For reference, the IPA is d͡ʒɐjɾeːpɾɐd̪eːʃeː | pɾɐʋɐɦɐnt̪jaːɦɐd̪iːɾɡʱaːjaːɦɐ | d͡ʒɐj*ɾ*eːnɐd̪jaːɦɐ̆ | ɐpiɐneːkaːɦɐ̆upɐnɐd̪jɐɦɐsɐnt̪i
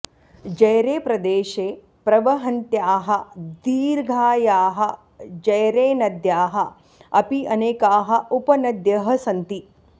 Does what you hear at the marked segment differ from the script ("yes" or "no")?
no